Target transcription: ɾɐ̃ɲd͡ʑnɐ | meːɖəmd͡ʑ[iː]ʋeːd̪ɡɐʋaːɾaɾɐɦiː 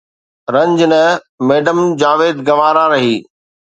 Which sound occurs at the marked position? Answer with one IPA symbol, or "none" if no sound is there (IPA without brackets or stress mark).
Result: aː